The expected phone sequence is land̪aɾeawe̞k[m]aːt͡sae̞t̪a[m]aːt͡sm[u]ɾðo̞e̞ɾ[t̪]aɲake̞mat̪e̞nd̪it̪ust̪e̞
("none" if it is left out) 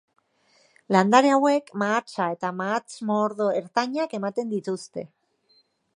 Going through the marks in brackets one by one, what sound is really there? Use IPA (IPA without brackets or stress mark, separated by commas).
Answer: m, m, o, t̪